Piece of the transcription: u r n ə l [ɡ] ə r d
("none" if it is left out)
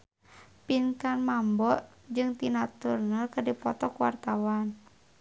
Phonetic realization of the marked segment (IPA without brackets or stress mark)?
k